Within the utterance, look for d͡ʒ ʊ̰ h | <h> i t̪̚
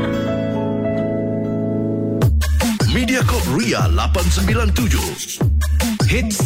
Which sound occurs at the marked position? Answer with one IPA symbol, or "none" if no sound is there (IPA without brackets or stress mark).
h